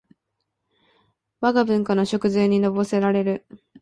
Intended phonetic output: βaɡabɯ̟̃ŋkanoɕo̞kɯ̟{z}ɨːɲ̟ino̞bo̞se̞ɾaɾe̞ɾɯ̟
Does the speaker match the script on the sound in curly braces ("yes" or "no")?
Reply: yes